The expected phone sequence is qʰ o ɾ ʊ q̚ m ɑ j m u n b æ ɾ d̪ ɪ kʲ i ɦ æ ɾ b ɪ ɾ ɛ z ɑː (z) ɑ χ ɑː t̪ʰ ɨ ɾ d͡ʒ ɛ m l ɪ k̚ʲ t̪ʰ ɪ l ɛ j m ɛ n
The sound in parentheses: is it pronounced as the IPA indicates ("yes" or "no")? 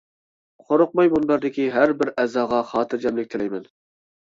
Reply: no